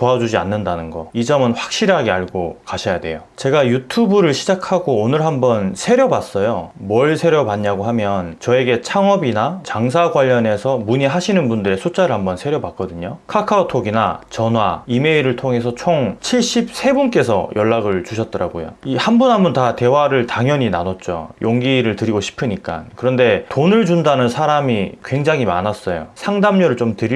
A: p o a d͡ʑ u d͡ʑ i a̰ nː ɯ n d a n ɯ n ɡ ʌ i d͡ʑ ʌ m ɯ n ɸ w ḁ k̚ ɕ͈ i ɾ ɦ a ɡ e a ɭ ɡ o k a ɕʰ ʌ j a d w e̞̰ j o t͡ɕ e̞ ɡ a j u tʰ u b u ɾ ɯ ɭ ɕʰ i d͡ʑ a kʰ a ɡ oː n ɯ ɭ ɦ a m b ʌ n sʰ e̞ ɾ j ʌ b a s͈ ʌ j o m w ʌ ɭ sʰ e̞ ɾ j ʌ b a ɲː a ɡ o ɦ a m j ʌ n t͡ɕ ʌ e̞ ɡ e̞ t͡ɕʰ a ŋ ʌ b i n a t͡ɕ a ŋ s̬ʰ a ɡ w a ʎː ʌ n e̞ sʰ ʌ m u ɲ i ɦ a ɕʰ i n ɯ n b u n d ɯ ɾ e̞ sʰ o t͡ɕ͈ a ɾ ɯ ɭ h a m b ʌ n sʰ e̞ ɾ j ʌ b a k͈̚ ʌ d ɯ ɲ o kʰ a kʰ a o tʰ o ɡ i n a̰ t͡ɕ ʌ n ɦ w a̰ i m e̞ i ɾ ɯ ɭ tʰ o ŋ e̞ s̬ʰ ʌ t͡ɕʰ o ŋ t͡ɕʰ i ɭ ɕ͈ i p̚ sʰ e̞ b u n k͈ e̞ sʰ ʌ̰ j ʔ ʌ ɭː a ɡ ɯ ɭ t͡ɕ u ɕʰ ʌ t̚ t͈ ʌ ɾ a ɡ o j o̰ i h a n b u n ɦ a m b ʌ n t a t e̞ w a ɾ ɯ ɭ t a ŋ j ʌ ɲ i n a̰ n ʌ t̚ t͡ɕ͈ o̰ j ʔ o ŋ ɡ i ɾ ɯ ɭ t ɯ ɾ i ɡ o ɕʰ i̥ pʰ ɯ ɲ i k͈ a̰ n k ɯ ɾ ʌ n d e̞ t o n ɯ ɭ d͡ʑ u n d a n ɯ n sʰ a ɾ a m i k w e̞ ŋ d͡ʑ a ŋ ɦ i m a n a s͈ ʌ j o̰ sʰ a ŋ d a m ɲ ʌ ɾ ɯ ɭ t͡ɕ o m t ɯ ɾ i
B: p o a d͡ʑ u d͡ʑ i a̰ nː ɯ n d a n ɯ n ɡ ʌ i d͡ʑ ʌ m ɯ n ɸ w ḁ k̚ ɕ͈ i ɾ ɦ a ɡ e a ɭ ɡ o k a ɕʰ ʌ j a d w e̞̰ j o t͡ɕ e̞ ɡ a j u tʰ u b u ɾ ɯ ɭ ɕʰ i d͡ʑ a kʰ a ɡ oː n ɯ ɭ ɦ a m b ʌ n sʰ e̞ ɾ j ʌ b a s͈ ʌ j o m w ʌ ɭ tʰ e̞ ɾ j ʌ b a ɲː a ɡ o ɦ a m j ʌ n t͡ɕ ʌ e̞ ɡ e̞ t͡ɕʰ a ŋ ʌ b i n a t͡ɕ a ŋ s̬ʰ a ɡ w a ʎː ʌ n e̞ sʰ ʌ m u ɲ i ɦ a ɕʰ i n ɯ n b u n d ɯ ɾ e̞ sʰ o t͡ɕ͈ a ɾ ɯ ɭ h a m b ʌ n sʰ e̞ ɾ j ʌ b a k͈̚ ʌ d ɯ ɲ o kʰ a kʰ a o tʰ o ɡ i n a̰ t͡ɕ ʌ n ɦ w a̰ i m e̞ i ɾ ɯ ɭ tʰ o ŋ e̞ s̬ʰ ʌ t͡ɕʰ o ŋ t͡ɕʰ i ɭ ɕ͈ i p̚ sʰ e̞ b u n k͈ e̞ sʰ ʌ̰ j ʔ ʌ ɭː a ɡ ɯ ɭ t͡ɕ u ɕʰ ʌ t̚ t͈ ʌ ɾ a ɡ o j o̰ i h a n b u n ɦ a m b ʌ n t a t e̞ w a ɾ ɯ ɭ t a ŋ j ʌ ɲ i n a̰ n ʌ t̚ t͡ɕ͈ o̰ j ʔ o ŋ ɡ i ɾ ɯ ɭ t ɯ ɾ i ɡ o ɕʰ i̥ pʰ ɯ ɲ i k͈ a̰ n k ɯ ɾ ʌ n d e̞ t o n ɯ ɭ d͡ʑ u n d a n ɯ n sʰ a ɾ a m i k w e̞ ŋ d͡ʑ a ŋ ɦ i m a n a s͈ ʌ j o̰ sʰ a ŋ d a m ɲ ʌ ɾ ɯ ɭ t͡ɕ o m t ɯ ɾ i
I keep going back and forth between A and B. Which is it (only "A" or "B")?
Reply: A